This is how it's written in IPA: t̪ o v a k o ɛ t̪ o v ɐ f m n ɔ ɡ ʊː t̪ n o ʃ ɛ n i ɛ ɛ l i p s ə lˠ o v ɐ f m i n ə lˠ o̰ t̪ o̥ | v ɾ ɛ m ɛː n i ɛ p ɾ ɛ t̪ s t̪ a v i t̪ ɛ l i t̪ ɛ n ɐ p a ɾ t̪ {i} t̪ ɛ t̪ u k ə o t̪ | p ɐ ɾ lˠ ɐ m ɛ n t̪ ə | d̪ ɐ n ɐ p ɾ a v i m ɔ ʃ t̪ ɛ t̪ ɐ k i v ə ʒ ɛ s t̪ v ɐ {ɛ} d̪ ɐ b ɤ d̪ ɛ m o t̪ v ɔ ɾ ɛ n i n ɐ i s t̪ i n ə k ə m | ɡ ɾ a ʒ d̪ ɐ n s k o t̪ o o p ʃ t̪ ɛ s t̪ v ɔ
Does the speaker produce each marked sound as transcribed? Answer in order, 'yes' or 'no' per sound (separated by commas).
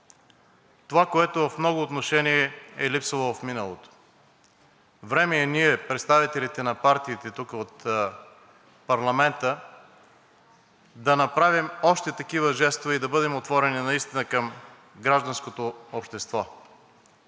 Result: no, no